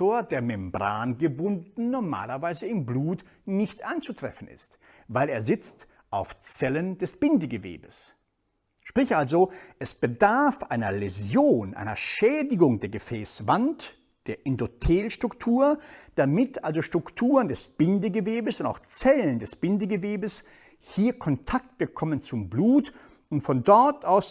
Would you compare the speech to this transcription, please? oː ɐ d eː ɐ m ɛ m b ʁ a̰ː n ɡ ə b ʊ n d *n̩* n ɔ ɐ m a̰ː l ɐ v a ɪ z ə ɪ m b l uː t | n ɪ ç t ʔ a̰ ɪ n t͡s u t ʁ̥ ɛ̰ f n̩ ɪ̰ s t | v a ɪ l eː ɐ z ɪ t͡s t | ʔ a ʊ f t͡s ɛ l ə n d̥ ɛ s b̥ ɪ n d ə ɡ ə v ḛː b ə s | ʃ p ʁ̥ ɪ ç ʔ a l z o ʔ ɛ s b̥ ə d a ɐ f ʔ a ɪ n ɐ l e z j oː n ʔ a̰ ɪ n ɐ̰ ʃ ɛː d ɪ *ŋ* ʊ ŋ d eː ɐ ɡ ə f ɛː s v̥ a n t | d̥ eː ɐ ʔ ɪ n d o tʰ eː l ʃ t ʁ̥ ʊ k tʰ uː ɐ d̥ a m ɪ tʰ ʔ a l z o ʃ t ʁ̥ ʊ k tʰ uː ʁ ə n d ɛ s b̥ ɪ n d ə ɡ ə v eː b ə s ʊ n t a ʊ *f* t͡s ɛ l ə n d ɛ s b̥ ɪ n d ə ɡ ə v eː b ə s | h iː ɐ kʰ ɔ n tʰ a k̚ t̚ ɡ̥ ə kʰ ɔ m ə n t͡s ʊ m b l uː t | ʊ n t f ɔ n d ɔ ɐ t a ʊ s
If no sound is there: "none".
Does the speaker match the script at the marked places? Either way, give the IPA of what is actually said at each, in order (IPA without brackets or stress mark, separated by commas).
n̩, ɡ, x